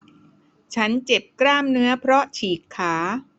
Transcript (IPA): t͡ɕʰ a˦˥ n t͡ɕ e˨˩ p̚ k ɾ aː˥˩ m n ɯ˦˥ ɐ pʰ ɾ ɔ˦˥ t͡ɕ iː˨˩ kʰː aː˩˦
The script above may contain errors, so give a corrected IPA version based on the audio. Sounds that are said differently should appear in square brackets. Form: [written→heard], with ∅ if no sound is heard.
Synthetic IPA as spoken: t͡ɕʰ a˦˥ n t͡ɕ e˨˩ p̚ k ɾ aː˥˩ m n ɯ˦˥ ɐ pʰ ɾ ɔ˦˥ [t͡ɕ→t͡ɕʰ] iː˨˩ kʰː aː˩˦